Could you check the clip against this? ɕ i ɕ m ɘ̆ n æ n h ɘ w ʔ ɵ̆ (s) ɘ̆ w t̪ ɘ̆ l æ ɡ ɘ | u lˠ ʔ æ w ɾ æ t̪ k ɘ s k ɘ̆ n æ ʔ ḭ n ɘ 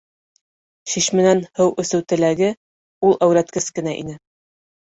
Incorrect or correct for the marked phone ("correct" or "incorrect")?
correct